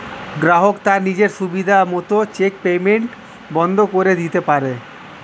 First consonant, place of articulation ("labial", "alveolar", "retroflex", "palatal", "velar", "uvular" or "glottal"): velar